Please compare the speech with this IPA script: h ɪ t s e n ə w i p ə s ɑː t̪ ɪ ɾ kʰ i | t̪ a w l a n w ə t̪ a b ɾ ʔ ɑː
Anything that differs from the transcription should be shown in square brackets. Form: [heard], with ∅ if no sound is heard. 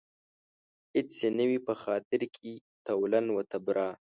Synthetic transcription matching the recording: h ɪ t s e n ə w i p ə [x] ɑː t̪ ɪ ɾ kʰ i | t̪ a w l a n w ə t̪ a b ɾ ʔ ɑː

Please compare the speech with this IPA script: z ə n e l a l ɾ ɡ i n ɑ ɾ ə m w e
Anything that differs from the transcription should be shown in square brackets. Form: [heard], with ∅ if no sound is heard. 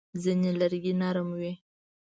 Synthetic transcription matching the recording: z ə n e l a [∅] ɾ ɡ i n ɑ ɾ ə m w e

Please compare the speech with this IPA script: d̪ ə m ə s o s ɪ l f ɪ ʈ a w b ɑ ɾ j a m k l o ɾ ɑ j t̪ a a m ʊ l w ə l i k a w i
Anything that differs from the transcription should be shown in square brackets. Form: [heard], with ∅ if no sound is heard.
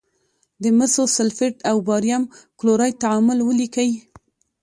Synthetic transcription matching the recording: d̪ ə m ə s o s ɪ l f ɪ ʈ a w b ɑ ɾ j a m k l o ɾ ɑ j t̪ a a m ʊ l w ə l i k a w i

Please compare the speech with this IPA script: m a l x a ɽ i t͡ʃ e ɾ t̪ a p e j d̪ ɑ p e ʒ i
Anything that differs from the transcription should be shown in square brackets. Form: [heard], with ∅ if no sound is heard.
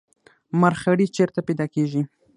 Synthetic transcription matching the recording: m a [ɾ] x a ɽ i t͡ʃ e ɾ t̪ a p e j d̪ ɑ [k] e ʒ i

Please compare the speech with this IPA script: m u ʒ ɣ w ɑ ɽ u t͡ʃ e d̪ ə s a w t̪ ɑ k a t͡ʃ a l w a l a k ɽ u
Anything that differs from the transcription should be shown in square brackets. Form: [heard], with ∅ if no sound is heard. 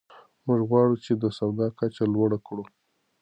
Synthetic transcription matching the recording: m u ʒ ɣ w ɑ ɽ u t͡ʃ e d̪ ə s a w [d̪] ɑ k a t͡ʃ a l w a [ɽ] a k ɽ u

